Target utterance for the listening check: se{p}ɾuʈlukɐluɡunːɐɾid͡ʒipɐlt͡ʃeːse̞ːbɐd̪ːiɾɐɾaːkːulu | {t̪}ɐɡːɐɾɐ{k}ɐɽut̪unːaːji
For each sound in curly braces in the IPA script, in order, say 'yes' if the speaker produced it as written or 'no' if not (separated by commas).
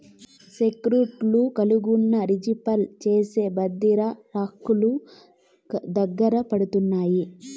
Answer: no, no, no